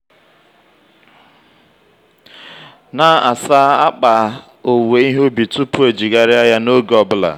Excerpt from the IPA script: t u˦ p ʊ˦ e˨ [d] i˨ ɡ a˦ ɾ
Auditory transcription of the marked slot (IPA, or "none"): d͡ʒ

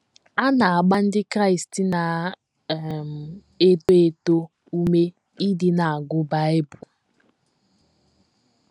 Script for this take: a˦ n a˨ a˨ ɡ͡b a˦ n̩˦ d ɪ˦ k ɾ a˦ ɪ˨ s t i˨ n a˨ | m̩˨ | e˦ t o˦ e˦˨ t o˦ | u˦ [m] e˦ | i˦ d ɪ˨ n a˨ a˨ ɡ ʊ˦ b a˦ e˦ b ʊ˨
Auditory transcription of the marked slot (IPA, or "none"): m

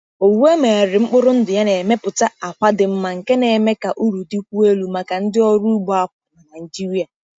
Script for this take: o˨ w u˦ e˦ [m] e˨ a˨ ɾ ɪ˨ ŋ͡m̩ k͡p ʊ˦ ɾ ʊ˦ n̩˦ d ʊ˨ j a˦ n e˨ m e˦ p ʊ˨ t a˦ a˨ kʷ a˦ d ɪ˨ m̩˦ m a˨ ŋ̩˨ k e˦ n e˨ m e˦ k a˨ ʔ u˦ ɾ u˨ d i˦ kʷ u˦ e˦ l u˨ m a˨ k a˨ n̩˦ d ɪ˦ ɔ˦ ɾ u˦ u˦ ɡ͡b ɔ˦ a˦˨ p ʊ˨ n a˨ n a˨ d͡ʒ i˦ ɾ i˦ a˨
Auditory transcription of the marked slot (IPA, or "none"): m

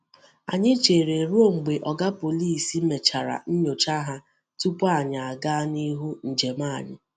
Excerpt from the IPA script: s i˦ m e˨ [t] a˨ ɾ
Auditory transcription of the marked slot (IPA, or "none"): t͡ʃ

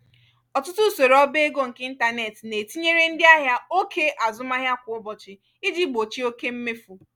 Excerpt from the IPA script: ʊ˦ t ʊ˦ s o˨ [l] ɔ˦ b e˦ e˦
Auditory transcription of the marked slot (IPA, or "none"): ɾ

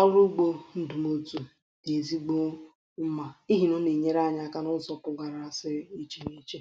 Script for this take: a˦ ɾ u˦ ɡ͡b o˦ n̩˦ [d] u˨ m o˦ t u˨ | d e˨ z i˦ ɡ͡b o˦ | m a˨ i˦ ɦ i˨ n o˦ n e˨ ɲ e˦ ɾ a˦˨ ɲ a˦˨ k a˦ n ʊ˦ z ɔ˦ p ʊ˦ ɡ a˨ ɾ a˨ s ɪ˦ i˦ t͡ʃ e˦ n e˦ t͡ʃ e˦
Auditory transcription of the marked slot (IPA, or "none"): d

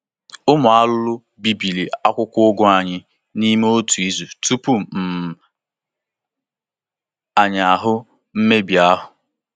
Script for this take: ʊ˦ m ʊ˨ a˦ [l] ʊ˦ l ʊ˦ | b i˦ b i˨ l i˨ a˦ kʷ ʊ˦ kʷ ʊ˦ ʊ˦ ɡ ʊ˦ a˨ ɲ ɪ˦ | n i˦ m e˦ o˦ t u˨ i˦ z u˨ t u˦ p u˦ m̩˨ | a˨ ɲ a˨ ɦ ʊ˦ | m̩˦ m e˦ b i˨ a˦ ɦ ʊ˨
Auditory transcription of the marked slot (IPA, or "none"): l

